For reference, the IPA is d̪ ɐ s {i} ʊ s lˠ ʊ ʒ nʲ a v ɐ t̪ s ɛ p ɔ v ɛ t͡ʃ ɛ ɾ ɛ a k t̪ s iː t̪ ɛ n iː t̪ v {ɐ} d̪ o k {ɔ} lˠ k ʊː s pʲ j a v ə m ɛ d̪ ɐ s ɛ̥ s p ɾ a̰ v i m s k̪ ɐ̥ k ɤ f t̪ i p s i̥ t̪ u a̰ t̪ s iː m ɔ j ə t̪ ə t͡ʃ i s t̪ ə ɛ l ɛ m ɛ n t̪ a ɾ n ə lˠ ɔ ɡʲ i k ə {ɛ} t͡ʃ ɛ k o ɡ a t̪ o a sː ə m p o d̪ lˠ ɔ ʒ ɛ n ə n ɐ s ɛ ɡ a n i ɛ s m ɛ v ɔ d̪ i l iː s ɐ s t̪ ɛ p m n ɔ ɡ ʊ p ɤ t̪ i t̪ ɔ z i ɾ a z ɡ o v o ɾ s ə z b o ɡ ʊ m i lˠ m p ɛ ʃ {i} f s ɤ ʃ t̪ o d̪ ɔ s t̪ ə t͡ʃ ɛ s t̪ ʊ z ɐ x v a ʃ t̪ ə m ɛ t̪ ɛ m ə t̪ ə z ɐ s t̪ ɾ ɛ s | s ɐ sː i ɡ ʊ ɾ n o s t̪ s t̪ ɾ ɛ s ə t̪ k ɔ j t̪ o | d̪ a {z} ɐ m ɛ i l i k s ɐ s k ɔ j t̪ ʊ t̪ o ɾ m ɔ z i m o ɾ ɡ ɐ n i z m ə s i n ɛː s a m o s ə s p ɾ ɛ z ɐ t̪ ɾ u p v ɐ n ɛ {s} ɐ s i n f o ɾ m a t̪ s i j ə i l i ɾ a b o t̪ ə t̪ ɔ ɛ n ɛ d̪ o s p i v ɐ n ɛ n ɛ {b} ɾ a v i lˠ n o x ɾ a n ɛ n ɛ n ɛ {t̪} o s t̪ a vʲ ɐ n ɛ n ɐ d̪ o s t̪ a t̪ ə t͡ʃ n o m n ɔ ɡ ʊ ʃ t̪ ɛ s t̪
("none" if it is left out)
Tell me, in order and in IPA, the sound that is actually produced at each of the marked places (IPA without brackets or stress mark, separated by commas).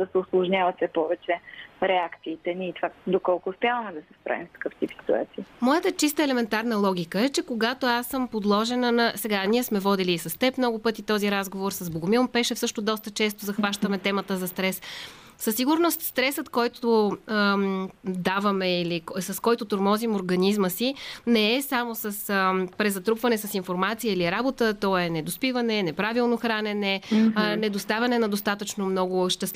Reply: ɛ, a, ɔ, ɛ, ɛ, v, s, p, d̪